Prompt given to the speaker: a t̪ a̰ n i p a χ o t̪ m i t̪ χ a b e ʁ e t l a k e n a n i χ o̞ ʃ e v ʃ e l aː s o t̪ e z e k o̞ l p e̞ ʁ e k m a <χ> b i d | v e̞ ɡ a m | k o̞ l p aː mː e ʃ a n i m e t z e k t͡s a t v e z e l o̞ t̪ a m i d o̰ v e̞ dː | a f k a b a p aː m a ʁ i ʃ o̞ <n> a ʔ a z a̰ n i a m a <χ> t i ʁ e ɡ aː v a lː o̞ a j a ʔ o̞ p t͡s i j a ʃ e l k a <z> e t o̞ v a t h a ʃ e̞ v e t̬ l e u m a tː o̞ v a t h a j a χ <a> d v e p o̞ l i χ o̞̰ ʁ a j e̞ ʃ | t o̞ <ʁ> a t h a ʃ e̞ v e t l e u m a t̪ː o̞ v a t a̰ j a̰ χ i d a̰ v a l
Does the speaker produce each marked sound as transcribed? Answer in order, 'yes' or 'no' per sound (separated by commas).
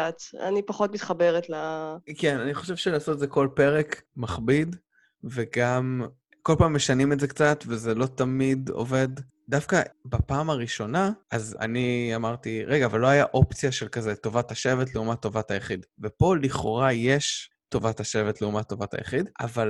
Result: yes, yes, no, yes, no, no